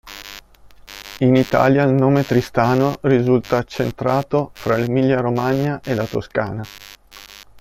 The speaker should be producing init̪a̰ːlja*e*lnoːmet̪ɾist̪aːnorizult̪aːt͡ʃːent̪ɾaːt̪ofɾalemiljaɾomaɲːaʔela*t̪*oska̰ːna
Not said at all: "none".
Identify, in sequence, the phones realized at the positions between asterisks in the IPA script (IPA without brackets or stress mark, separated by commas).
i, t̪